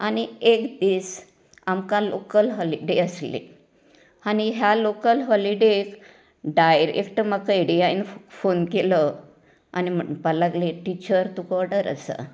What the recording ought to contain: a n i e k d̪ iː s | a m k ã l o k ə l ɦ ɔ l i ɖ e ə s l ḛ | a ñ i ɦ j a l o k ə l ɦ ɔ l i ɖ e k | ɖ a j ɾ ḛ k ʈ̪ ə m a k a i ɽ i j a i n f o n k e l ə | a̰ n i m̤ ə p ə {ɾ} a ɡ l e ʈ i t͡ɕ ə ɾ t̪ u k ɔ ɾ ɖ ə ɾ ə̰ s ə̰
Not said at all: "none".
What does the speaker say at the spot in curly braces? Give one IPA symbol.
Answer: l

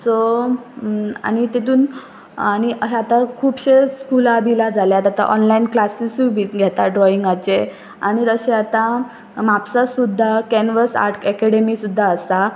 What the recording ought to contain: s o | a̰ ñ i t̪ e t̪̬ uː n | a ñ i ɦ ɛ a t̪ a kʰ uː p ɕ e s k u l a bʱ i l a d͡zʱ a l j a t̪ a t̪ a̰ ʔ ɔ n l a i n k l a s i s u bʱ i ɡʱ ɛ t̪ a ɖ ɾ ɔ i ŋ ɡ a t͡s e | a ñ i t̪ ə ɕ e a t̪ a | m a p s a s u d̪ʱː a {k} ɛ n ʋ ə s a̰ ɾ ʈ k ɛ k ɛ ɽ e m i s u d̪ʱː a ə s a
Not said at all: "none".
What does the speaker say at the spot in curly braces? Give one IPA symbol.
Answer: k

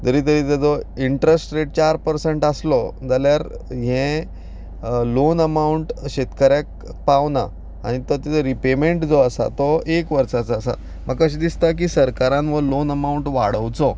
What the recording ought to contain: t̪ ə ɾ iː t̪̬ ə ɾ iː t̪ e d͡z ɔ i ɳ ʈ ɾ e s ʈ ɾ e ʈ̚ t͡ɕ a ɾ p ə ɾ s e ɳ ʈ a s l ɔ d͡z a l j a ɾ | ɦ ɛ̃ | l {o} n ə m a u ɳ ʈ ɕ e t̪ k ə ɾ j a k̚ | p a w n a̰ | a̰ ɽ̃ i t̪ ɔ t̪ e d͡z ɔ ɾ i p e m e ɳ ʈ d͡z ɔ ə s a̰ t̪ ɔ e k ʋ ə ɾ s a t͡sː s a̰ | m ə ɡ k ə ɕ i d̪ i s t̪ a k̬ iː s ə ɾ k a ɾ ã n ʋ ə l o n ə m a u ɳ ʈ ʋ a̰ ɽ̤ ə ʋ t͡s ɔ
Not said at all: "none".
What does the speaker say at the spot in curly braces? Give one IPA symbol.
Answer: o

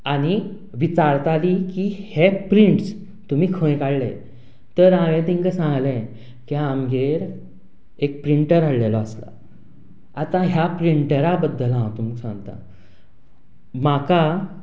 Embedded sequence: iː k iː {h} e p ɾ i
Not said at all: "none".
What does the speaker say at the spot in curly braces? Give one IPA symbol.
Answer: h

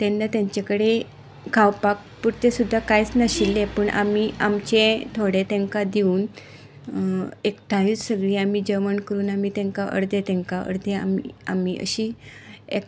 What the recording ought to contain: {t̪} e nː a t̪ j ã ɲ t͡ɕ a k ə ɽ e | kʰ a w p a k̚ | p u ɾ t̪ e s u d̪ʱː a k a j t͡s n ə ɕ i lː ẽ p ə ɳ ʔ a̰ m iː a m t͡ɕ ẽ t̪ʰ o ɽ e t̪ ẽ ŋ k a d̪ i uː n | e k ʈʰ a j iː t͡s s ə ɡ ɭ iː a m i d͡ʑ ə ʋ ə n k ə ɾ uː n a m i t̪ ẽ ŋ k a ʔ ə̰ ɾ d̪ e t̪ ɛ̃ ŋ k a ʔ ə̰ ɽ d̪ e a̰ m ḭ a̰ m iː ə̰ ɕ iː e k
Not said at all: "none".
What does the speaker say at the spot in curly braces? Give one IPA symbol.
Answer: t̪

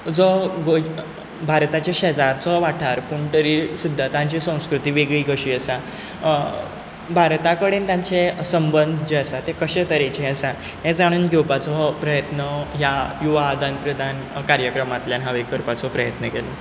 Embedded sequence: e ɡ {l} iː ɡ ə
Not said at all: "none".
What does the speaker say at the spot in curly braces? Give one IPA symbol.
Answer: ɭ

